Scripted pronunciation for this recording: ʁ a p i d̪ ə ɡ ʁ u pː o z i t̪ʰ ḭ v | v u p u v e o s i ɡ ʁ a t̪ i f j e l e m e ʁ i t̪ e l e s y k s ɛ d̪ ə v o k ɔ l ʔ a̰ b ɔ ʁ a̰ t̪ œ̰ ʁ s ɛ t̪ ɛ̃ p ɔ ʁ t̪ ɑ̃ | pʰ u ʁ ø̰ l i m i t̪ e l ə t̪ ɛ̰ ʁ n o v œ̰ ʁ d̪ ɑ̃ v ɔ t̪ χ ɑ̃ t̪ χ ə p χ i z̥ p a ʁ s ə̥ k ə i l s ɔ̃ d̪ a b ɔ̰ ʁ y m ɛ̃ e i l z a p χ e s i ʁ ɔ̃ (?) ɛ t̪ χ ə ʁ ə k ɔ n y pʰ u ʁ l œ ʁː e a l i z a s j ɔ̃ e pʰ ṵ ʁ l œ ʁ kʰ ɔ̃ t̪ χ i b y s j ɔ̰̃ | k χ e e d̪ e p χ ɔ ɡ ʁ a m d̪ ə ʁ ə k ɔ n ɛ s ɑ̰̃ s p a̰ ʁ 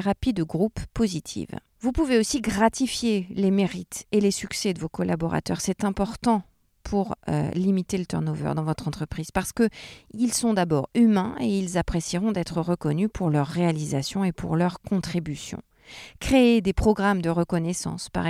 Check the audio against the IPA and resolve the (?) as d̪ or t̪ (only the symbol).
d̪